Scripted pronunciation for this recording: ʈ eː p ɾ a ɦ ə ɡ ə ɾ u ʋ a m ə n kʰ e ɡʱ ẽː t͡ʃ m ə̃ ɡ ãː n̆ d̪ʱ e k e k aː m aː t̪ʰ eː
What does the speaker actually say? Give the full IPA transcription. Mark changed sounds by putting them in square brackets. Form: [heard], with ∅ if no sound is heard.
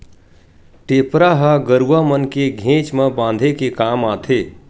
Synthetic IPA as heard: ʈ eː p ɾ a ɦ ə ɡ ə ɾ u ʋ a m ə n [k] e ɡʱ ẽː t͡ʃ m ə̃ [b] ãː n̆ d̪ʱ e k e k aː m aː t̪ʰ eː